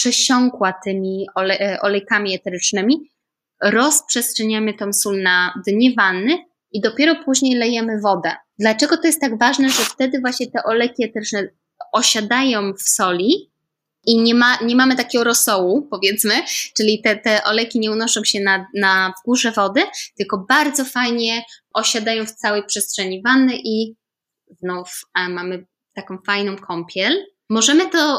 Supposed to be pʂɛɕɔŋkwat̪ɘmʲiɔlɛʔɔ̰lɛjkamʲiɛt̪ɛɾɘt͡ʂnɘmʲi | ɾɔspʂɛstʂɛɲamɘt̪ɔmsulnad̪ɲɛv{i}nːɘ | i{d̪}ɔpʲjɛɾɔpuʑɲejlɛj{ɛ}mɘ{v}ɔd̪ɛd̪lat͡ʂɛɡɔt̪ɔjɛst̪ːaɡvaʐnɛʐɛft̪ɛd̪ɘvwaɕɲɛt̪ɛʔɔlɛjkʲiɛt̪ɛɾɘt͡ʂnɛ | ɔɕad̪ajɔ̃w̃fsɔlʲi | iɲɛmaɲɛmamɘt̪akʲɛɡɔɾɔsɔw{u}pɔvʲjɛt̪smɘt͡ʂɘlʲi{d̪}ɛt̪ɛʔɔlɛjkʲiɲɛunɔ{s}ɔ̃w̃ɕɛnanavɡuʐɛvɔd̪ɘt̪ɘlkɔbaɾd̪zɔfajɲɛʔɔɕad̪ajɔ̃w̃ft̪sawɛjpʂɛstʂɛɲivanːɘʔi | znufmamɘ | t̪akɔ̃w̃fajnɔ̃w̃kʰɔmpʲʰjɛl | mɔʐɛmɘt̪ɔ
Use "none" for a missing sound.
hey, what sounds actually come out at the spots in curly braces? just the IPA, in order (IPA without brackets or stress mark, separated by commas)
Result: a, d̪, ɛ, v, u, t̪, ʂ